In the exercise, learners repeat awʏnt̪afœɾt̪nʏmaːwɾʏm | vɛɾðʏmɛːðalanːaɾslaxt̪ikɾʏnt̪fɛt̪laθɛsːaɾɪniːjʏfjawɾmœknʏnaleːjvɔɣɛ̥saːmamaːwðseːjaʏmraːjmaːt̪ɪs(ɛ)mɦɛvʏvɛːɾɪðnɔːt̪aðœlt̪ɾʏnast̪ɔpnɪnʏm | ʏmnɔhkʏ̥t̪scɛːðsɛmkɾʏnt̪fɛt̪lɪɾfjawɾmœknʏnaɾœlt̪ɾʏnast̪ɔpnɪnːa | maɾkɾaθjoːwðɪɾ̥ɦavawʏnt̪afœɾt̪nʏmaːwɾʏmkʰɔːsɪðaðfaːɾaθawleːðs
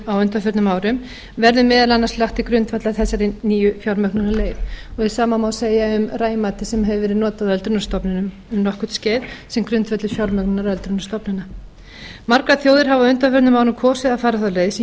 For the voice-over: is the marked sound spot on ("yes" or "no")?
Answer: yes